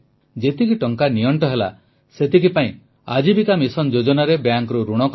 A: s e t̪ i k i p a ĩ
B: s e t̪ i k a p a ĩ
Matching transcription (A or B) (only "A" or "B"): A